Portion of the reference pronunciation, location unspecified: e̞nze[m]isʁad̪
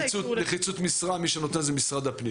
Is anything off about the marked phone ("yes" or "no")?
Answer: no